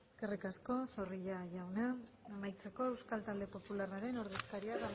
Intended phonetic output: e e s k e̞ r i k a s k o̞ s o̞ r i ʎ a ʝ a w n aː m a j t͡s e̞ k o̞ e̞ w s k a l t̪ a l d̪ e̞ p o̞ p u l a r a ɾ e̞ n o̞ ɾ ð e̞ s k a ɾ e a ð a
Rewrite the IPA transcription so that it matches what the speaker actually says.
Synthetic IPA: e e s k e̞ r i k a s k o̞ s o̞ r i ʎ a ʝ a w n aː m a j t͡s e̞ k o̞ e̞ w s k a l t̪ a l d̪ e̞ p o̞ p u l a r a ɾ e̞ n o̞ ɾ ð e̞ s k a ɾ i a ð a